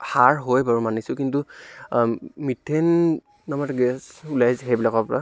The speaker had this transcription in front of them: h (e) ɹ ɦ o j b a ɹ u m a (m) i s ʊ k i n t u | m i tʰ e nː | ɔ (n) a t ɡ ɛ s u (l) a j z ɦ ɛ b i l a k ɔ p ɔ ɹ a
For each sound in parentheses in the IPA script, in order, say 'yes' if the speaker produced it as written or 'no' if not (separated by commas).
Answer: no, no, no, yes